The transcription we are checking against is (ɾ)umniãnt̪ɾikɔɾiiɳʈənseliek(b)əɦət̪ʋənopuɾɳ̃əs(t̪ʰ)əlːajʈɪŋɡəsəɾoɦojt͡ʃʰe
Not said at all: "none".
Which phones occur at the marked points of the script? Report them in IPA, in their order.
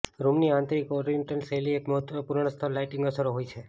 ɾ, m, t̪ʰ

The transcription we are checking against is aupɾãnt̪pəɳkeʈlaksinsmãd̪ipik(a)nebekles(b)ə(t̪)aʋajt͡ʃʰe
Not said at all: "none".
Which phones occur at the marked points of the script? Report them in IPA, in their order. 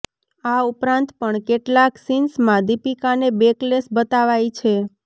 a, b, t̪

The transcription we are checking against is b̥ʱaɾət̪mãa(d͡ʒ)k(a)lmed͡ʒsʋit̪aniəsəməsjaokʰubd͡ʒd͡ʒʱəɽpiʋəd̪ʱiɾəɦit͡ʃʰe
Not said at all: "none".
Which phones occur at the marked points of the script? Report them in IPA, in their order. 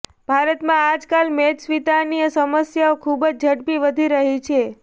d͡ʒ, a

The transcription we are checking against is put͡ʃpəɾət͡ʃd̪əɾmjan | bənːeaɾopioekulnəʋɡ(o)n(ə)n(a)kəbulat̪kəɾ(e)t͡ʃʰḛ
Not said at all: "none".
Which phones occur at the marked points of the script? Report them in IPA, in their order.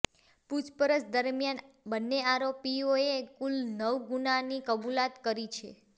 u, a, i, i

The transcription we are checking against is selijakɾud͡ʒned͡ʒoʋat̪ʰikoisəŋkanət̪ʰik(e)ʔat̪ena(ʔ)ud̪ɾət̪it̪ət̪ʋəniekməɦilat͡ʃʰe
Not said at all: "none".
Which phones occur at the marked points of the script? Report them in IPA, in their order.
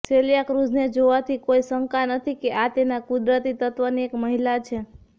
e, k

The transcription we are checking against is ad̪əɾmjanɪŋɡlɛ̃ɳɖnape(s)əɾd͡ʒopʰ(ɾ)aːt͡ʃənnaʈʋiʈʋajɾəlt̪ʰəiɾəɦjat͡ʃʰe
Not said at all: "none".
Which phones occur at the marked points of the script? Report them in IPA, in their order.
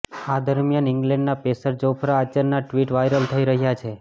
s, ɾ

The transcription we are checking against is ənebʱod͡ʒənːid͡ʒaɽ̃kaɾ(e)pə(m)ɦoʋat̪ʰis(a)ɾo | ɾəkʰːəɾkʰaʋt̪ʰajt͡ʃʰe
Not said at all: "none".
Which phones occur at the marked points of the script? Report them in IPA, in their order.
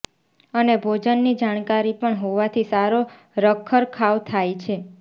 i, ɳ, a

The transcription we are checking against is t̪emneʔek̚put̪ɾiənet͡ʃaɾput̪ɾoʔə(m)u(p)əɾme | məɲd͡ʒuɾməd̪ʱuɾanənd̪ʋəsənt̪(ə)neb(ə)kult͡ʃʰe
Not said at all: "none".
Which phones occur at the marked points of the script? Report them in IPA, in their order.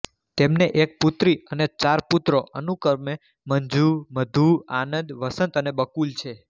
n, k, ə, ə

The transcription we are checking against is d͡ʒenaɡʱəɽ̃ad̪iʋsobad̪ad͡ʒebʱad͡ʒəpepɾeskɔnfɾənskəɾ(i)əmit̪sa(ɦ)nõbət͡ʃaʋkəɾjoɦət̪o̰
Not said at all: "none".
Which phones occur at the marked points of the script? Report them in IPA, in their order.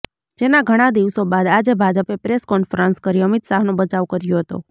i, ɦ

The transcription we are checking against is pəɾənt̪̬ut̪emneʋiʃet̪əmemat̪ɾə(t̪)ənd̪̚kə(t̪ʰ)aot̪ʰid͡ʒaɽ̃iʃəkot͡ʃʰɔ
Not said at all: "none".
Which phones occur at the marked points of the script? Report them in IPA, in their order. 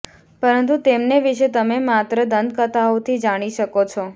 d̪, t̪

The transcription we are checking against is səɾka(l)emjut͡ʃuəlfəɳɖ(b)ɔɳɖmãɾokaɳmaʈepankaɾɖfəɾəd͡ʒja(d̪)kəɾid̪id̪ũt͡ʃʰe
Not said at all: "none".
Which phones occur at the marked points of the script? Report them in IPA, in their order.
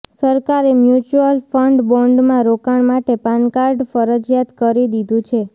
ɾ, b, t̪

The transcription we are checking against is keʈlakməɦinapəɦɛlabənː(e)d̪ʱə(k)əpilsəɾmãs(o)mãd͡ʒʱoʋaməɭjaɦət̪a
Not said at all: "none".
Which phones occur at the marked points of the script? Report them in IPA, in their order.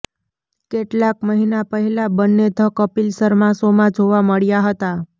e, k, o

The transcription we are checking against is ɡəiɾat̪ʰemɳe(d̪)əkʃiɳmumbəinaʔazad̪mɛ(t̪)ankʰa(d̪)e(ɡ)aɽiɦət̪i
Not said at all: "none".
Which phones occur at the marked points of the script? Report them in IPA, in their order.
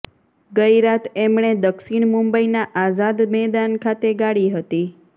d̪, d̪, t̪, ɡ

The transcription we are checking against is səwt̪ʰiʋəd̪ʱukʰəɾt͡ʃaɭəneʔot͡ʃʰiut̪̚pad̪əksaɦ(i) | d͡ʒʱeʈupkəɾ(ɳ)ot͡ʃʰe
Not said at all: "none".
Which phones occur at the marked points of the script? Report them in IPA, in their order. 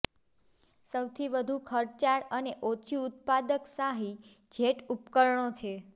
i, ɳ

